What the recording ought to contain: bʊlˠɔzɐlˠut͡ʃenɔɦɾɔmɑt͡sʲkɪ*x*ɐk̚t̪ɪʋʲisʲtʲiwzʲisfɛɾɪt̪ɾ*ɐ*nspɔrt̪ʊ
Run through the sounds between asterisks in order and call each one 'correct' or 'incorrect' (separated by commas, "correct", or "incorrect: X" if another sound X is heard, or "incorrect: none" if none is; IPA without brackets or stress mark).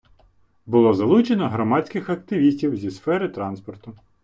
correct, incorrect: ɑ